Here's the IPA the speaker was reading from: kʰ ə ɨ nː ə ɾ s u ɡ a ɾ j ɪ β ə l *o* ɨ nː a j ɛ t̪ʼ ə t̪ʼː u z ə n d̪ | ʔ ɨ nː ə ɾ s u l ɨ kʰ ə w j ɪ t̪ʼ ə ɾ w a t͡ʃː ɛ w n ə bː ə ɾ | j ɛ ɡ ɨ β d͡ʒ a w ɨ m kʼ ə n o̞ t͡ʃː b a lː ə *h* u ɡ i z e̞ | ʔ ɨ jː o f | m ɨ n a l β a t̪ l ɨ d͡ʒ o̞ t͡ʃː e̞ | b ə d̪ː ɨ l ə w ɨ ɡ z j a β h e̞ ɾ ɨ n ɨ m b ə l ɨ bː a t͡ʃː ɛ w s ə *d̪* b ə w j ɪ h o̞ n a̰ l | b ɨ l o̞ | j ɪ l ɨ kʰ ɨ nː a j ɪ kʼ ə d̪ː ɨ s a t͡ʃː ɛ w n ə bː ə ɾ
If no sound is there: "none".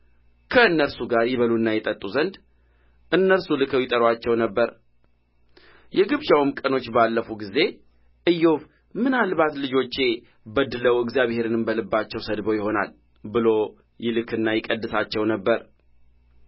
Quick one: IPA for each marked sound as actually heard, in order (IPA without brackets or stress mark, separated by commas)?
u, f, d̪